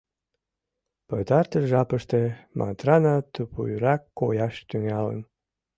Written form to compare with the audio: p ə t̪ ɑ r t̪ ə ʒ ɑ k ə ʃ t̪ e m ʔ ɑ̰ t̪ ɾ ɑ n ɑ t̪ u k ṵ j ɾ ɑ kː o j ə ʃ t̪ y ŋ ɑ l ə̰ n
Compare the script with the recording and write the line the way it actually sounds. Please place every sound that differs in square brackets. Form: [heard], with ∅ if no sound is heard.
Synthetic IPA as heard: p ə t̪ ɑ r t̪ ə ʒ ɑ [p] ə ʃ t̪ e m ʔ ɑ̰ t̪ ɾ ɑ n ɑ t̪ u [p] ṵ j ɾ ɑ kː o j [ɑ] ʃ t̪ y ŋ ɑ l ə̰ n